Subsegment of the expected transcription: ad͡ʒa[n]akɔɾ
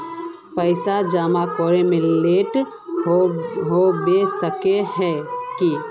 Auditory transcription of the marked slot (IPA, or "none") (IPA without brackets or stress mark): m